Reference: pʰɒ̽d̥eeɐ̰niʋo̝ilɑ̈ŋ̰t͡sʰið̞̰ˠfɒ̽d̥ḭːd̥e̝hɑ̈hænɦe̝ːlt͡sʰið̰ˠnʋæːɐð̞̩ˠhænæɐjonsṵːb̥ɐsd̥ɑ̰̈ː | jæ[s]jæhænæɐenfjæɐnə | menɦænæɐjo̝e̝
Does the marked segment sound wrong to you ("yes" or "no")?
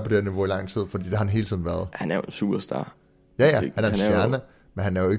yes